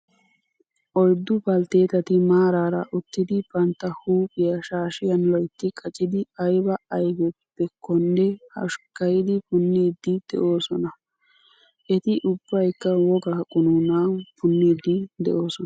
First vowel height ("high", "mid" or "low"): mid